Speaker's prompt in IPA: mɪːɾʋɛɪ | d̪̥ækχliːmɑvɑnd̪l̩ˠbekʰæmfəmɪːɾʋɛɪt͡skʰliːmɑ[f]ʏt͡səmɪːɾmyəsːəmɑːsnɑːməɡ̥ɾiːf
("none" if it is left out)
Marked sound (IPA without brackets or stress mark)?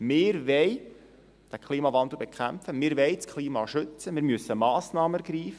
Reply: ʃ